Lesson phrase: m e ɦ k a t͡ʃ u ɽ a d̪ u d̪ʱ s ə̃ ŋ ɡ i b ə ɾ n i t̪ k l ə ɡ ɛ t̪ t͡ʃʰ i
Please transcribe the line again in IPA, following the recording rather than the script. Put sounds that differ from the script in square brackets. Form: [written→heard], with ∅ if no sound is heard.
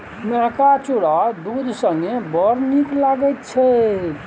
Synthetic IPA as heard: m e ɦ k a t͡ʃ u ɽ a d̪ u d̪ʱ s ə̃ ŋ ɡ [i→e] b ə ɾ n i [t̪→∅] k l [ə→a] ɡ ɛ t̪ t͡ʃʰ [i→ɛ]